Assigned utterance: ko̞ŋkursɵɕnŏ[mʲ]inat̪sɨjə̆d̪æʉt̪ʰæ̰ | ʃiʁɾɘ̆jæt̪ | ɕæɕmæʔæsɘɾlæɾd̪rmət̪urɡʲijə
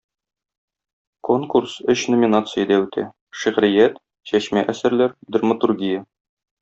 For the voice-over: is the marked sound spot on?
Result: yes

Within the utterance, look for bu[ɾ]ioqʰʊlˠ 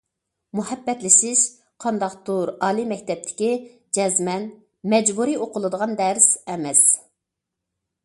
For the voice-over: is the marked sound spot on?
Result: yes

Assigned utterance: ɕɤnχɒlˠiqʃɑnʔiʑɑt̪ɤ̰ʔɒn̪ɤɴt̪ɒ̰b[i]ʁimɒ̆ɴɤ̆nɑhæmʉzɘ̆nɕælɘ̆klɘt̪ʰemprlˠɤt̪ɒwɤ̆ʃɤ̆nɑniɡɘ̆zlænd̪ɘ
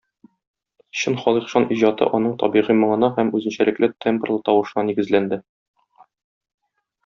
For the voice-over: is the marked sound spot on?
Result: yes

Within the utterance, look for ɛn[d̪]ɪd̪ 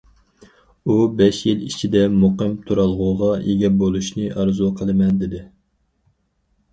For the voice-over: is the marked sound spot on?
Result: yes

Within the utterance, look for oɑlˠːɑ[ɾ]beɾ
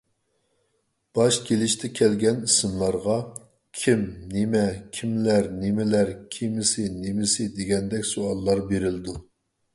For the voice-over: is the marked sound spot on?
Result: yes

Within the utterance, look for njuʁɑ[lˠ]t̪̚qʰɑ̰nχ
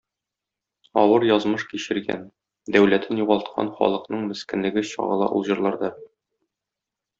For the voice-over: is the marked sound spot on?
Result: yes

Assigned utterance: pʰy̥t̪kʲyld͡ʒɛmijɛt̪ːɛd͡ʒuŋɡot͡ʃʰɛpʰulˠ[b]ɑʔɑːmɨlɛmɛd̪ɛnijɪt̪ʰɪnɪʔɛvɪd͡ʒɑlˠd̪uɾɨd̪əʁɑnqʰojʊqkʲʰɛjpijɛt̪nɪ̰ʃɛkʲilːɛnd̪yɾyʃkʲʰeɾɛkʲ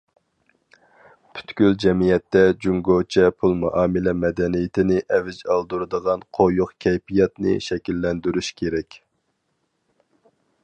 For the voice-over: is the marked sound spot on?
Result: no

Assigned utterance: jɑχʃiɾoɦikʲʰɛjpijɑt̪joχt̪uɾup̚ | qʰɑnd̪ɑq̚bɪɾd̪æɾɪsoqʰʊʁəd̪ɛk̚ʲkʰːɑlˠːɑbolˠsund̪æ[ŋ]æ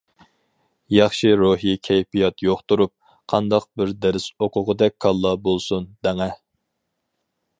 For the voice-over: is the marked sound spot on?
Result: yes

